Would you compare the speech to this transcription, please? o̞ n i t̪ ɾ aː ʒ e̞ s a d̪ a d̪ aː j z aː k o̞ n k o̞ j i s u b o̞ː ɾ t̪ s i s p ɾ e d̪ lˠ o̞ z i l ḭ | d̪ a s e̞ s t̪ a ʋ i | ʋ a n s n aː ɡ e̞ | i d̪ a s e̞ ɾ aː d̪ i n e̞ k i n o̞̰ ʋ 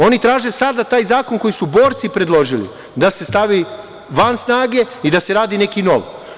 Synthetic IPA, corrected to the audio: o̞ n i t̪ ɾ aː ʒ e̞ s a d̪ a t̪ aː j z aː k o̞ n k o̞ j i s u b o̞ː ɾ t̪ s i p ɾ e d̪ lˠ o̞ ʒ i l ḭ | d̪ a s e̞ s t̪ a ʋ i | ʋ a n s n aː ɡ e̞ | i d̪ a s e̞ ɾ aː d̪ i n e̞ k i n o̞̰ ʋ